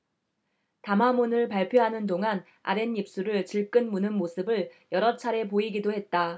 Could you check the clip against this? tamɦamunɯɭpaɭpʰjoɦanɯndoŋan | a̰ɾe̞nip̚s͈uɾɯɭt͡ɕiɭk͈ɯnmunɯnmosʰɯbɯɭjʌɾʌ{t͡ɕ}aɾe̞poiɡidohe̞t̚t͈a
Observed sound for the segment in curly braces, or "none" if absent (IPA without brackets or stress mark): t͡ɕʰ